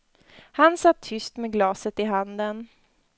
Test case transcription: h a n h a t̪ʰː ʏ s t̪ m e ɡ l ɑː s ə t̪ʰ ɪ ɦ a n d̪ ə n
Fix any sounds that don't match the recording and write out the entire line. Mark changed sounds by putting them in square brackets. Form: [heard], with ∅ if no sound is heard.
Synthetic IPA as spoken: h a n [s] a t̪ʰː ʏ s t̪ m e ɡ l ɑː s ə [t̪] ɪ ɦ a n d̪ ə n